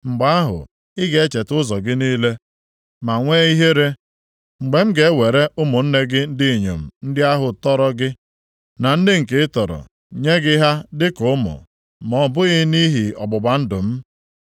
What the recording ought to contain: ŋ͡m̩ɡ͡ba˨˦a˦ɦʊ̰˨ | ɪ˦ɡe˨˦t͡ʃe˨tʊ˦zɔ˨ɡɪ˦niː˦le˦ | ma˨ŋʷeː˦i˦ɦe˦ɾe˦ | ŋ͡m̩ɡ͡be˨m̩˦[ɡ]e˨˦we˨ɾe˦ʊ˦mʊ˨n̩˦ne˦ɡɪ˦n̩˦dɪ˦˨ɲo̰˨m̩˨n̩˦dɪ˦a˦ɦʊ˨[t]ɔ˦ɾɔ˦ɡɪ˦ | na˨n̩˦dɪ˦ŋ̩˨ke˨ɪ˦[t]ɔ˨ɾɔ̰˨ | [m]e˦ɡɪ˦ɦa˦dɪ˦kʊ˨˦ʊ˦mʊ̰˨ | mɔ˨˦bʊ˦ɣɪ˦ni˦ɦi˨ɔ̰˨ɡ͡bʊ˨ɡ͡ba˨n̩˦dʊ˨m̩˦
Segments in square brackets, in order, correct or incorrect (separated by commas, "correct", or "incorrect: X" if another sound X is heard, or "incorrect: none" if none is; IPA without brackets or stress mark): correct, correct, correct, incorrect: ɲ